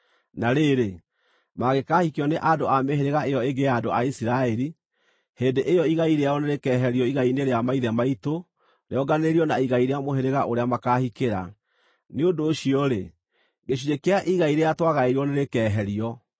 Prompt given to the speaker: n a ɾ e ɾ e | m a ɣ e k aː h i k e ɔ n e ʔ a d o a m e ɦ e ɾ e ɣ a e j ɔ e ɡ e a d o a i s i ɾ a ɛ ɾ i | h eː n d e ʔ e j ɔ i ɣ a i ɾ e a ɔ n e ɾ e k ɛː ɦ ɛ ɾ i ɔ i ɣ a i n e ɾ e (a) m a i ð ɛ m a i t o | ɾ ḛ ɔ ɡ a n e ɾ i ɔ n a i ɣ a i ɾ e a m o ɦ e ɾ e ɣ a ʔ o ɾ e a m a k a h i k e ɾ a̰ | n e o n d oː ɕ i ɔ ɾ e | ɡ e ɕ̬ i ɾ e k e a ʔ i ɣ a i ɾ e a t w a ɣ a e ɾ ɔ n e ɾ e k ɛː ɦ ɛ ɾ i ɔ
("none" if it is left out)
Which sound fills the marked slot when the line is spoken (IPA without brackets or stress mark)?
a